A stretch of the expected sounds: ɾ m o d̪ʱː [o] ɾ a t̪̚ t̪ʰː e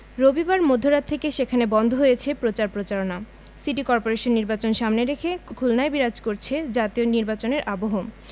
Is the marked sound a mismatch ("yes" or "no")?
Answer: no